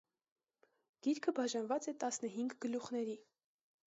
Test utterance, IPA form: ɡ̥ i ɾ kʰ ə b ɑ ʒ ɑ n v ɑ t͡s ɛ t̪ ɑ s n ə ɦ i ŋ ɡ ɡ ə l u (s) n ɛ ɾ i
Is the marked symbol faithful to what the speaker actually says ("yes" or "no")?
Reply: no